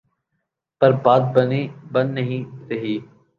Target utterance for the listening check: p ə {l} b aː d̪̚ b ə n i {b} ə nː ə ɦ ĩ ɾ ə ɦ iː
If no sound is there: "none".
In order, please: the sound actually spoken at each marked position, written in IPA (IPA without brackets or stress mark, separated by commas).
ɾ, b